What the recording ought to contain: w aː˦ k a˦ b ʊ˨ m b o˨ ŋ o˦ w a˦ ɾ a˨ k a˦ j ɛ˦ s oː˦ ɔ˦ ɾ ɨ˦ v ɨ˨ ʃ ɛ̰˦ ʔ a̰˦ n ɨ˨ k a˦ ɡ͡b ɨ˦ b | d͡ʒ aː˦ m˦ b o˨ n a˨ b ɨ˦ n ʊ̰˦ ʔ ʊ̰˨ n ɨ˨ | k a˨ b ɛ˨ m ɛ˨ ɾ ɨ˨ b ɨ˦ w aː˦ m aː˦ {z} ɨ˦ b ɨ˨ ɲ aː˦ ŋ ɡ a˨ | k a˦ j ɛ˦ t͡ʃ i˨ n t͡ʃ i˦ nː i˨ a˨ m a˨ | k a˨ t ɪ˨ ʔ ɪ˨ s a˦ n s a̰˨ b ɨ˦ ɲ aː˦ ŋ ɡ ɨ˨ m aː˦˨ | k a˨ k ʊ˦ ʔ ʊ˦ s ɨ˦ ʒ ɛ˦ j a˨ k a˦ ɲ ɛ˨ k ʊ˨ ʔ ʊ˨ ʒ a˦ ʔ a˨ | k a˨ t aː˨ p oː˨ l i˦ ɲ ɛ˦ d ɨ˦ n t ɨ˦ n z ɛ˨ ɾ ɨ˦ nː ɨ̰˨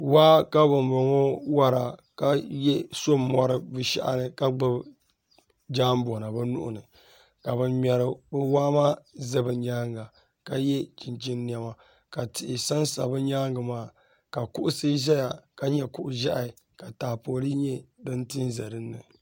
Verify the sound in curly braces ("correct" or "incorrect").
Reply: correct